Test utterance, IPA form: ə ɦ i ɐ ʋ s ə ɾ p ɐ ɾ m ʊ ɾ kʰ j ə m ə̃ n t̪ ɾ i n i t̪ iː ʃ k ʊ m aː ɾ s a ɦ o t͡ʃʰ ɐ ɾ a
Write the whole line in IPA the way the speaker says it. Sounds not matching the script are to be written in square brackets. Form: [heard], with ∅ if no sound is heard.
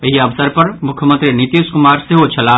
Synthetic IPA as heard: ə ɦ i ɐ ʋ s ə ɾ p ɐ ɾ m ʊ [∅] kʰ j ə m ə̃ n t̪ ɾ i n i t̪ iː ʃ k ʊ m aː ɾ s [e] ɦ o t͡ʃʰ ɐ [l] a

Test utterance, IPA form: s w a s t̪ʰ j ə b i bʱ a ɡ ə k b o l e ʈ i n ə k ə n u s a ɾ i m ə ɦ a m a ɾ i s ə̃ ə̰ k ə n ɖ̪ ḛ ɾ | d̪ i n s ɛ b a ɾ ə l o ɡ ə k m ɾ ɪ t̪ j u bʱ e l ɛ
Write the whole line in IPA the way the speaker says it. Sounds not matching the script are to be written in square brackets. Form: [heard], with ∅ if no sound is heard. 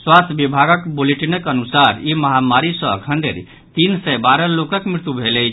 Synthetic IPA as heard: s w a s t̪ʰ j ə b i bʱ a ɡ ə k b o l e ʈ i n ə k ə n u s a ɾ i m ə ɦ a m a ɾ i s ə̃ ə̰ [kʰ] ə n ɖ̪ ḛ ɾ | [t̪] i n s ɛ b a ɾ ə l o [k] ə k m ɾ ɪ t̪ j u bʱ e l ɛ

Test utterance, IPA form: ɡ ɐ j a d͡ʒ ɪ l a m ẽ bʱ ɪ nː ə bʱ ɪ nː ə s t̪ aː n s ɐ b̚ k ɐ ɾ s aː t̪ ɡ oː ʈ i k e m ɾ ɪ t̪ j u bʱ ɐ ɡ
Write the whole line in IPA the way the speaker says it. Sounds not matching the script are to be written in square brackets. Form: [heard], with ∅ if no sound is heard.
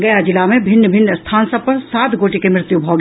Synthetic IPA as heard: ɡ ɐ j a d͡ʒ ɪ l a m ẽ bʱ ɪ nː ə bʱ ɪ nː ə s [t̪ʰ] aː n s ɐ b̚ [p] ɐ ɾ s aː t̪ ɡ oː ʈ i k e m ɾ ɪ t̪ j u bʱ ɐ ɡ

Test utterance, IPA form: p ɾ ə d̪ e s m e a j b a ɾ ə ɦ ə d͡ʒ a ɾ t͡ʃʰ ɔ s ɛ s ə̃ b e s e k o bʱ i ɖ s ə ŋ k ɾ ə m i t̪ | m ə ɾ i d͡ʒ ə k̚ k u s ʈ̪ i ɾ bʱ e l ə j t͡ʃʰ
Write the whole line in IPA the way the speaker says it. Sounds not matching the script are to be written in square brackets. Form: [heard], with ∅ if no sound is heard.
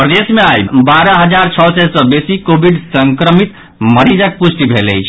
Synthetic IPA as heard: p ɾ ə d̪ e s m e a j b a ɾ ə ɦ ə d͡ʒ a ɾ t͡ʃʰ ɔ s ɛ s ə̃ b e s [i] k o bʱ i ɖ s ə ŋ k ɾ ə m i t̪ | m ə ɾ i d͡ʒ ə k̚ [p] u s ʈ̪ i [∅] bʱ e l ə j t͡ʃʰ

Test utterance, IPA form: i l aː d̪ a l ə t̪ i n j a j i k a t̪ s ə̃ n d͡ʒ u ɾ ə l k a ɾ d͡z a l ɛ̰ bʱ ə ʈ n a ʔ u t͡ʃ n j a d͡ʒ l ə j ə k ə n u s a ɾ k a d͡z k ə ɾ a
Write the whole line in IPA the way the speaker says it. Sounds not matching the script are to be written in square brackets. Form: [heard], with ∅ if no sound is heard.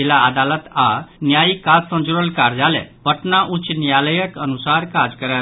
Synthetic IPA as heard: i l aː d̪ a l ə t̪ [a] n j a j i k a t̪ s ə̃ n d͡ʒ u ɾ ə l k a ɾ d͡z a l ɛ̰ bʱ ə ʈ n a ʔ u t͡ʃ n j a [∅] l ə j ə k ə n u s a ɾ k a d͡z k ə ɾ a

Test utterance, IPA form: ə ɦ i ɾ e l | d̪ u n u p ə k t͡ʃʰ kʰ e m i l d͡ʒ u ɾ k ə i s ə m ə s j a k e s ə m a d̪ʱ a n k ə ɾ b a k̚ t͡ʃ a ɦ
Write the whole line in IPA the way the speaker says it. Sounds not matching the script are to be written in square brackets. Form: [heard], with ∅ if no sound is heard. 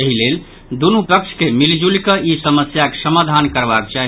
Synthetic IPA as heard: ə ɦ i [l] e l | d̪ u n u p ə k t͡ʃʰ [k] e m i l d͡ʒ u [l] k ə i s ə m ə s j a k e s ə m a d̪ʱ a n k ə ɾ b a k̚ t͡ʃ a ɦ

